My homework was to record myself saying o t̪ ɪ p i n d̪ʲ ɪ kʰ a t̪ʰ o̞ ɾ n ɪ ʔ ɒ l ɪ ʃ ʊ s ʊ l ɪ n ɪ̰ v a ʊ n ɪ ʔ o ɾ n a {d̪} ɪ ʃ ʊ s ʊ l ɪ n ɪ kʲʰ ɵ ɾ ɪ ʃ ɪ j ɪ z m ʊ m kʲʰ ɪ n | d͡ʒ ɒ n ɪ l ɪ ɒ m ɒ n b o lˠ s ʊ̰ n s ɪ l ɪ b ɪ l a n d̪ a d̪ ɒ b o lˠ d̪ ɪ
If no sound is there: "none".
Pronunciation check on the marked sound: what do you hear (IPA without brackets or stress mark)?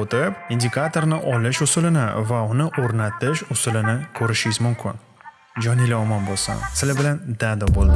t̪